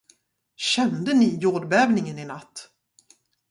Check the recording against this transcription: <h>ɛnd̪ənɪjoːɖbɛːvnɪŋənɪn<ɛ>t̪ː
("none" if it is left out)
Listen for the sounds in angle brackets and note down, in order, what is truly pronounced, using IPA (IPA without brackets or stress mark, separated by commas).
ɕ, a